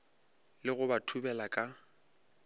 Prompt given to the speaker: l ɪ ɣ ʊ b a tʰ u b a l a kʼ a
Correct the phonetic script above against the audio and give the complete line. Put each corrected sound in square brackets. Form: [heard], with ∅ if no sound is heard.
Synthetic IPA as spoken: l ɪ ɣ ʊ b a tʰ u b [ɛ] l a kʼ a